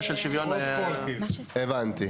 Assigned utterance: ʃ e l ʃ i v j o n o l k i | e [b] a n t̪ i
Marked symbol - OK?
no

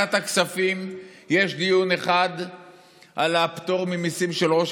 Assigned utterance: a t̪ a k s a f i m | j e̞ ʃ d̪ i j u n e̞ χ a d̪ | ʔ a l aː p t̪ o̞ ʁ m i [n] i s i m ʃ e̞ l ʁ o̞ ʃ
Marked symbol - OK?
no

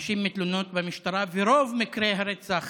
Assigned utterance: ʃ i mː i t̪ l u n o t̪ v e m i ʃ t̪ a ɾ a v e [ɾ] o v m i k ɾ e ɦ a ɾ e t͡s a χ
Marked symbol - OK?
yes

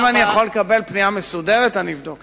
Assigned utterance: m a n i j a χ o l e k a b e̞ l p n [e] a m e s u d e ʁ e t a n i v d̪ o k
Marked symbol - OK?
no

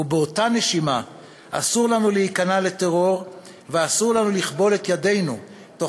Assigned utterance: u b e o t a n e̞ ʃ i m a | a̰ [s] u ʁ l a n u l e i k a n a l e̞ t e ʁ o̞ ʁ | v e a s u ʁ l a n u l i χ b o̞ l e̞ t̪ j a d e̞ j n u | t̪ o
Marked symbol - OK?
yes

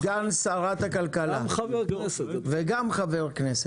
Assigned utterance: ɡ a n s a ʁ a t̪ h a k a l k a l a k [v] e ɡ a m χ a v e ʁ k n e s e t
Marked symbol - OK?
yes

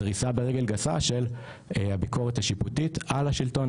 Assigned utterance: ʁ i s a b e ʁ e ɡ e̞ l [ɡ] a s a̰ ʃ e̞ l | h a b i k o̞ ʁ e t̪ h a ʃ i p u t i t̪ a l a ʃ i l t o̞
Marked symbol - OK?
yes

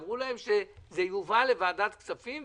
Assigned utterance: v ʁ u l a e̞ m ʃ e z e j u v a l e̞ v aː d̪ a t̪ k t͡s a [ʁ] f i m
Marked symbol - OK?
no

